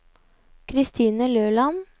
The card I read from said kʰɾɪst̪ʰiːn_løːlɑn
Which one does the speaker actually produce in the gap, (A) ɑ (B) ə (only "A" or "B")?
B